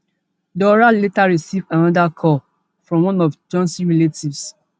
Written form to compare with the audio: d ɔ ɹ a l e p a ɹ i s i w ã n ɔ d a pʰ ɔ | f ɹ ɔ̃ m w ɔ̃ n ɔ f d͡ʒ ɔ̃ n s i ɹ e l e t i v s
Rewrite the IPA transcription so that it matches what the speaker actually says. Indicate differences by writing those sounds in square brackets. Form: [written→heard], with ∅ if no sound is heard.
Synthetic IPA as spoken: d ɔ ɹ a l e [p→t] a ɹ i s i [w→v] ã n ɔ d a [pʰ→kʰ] ɔ | f ɹ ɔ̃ m w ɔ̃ n ɔ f d͡ʒ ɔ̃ n s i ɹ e l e t i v s